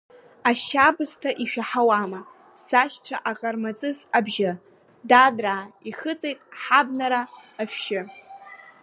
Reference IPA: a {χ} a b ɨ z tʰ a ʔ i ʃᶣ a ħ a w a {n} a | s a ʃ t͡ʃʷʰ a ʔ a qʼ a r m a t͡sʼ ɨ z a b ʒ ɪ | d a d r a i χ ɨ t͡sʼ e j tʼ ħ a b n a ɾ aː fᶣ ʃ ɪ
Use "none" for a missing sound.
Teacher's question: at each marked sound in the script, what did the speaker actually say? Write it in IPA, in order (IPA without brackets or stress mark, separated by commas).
ʃ, m